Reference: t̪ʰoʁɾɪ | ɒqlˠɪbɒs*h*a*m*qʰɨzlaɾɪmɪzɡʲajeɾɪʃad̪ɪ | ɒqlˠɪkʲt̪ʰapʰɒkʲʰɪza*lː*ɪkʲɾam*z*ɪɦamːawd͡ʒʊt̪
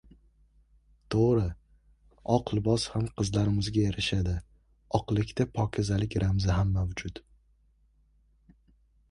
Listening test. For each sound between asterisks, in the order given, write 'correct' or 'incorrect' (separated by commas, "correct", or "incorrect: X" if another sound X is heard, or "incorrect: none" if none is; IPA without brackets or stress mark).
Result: correct, correct, incorrect: l, correct